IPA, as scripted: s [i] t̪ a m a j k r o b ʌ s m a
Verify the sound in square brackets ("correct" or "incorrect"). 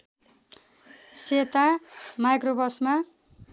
incorrect